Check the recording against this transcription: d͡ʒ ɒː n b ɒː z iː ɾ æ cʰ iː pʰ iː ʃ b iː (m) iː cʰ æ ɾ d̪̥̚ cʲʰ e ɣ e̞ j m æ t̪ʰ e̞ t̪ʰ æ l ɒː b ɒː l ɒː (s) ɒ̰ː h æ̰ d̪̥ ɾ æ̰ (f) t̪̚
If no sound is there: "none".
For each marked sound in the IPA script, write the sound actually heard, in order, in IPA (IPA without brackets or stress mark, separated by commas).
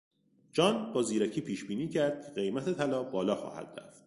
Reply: n, x, f